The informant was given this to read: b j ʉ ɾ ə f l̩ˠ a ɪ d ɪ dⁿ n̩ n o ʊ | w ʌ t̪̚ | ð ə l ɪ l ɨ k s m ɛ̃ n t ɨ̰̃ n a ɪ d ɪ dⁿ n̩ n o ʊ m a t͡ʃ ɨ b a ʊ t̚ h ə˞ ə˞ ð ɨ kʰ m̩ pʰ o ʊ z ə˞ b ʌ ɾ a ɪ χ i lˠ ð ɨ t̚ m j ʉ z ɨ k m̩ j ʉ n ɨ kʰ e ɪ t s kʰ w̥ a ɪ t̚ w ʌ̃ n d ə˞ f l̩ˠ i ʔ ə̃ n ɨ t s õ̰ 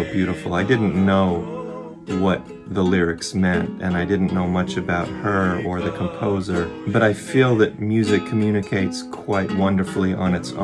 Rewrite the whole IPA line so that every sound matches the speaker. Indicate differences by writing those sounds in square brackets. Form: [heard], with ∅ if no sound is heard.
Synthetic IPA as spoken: b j ʉ ɾ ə f l̩ˠ a ɪ d ɪ dⁿ n̩ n o ʊ | w ʌ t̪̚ | ð ə l ɪ [ɹ] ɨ k s m ɛ̃ n t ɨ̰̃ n a ɪ d ɪ dⁿ n̩ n o ʊ m [ʌ] t͡ʃ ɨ b a ʊ t̚ h ə˞ ə˞ ð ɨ kʰ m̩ pʰ o ʊ z ə˞ b ʌ ɾ a ɪ [f] i lˠ ð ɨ t̚ m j ʉ z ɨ [kʰ] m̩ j ʉ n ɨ kʰ e ɪ t s kʰ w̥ a ɪ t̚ w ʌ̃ n d ə˞ f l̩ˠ i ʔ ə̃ n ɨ t s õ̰